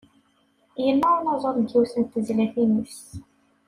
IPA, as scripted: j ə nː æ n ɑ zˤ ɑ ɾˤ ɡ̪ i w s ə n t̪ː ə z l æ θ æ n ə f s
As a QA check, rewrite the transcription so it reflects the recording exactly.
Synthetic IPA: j ə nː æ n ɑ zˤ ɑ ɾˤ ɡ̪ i w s ə n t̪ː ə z l æ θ i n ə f s